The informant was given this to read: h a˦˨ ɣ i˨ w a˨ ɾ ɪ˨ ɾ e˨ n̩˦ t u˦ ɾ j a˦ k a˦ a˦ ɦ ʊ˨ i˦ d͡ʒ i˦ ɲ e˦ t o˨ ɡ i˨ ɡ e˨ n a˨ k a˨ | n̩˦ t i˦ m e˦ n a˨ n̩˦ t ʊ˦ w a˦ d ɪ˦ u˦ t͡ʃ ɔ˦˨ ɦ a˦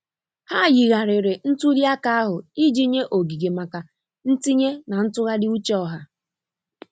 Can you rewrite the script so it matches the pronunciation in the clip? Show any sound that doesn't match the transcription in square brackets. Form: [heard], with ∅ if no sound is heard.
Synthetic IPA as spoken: h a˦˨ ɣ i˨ [ɣ] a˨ ɾ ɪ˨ ɾ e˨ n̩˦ t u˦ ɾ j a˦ k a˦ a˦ ɦ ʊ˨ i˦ d͡ʒ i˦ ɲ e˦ [ʔ] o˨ ɡ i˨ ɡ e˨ [m] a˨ k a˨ | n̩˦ t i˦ [ɲ] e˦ n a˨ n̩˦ t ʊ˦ [ɣ] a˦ d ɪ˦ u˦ t͡ʃ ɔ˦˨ ɦ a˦